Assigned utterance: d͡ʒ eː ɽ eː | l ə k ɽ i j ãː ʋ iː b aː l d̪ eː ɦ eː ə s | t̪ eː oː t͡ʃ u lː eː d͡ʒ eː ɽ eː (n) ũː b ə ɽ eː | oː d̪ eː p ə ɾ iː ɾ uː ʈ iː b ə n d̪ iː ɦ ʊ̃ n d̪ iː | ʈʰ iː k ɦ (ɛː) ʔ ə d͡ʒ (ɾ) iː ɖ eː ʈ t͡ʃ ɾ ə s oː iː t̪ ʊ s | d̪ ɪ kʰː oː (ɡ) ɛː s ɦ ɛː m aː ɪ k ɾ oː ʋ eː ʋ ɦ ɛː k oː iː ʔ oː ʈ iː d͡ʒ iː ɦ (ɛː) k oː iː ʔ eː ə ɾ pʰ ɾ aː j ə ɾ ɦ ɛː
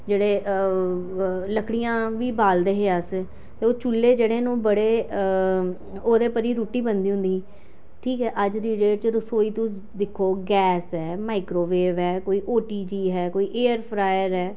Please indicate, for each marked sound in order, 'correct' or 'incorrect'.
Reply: correct, correct, correct, correct, correct

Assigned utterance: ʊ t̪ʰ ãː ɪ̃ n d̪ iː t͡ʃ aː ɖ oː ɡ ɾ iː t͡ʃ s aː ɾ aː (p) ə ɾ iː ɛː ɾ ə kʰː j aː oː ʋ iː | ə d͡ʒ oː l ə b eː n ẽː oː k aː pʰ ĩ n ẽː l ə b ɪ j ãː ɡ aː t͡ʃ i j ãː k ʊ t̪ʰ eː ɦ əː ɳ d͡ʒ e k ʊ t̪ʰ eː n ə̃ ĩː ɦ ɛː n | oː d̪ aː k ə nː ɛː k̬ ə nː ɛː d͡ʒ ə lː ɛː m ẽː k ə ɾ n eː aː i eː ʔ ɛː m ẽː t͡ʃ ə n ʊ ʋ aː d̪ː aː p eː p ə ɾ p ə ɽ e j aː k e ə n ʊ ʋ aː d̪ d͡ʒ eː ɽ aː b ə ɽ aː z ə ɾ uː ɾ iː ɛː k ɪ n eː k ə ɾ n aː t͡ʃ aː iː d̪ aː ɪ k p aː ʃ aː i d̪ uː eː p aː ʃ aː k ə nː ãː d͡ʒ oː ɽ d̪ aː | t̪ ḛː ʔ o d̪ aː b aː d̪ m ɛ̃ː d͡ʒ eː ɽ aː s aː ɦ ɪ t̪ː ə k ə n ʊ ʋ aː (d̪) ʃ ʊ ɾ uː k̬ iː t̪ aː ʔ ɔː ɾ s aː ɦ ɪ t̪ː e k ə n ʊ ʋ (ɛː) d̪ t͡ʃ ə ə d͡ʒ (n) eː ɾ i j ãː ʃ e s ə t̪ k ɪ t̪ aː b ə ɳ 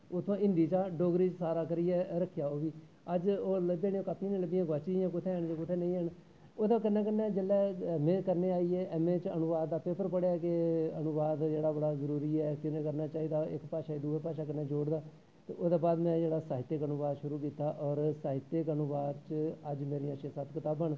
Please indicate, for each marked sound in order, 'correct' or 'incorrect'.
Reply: incorrect: k, correct, incorrect: aː, incorrect: m

